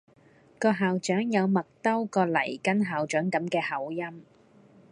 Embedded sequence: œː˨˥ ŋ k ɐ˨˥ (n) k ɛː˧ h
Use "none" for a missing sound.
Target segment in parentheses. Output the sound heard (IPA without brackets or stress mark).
m